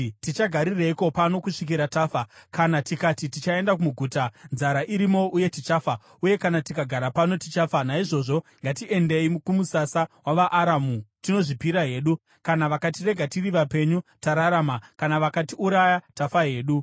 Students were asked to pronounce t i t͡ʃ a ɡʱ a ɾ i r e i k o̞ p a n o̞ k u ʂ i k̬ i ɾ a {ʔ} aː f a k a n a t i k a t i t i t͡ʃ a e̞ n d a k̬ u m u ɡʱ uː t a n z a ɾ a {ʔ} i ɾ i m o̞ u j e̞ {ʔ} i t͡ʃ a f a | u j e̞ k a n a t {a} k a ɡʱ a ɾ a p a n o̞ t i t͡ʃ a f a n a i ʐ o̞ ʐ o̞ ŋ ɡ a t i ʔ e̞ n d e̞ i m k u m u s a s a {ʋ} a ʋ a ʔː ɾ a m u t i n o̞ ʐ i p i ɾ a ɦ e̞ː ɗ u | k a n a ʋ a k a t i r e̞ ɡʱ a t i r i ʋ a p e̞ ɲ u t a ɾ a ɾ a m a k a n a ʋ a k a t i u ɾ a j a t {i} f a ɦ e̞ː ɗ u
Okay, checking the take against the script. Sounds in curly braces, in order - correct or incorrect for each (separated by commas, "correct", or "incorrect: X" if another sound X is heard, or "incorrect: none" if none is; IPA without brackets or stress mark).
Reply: incorrect: t, correct, incorrect: t, incorrect: i, incorrect: w, incorrect: a